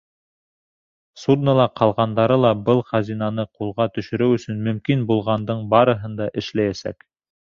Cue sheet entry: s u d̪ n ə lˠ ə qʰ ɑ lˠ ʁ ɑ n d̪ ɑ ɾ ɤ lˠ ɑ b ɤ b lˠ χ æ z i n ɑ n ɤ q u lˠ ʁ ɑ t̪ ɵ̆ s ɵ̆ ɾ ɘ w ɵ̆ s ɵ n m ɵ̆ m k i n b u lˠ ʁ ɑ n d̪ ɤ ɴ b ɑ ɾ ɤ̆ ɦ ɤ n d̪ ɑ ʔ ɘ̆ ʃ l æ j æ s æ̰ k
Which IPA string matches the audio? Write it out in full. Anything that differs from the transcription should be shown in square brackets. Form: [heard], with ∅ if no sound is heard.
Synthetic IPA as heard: s u d̪ n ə lˠ [ɑ] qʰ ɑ lˠ ʁ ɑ n d̪ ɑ ɾ ɤ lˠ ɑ b ɤ [∅] lˠ χ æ z i n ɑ n ɤ q u lˠ ʁ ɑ t̪ ɵ̆ [ʃ] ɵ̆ ɾ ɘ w ɵ̆ s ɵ n m ɵ̆ m k i n b u lˠ ʁ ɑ n d̪ ɤ ɴ b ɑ ɾ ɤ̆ ɦ ɤ n d̪ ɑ ʔ ɘ̆ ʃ l æ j æ s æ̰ k